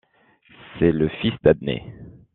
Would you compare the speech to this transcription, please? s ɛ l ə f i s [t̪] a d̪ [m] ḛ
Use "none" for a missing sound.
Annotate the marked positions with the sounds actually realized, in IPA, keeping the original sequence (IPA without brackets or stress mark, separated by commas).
d̪, n